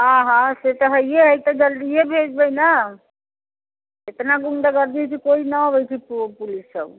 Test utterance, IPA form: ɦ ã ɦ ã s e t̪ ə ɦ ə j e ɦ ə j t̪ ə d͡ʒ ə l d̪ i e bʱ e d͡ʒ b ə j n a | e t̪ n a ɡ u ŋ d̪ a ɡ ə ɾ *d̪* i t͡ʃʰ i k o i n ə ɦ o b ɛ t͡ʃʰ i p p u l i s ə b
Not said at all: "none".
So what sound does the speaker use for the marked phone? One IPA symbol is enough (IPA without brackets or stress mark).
d̪